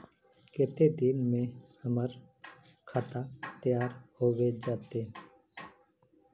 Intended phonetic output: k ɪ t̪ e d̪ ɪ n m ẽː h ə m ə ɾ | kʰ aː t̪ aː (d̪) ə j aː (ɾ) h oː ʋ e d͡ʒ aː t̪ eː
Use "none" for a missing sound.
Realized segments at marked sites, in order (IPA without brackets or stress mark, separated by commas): t̪, ɾ